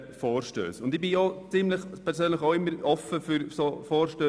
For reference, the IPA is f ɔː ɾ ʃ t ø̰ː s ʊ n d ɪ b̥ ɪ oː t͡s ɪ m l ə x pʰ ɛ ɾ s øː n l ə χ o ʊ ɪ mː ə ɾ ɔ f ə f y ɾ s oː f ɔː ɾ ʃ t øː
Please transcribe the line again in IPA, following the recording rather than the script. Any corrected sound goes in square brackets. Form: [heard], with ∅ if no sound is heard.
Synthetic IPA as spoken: f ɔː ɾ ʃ t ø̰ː s ʊ n d ɪ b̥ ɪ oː t͡s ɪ m l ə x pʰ ɛ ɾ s øː n l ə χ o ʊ ɪ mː ə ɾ ɔ f ə f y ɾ s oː f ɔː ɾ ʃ t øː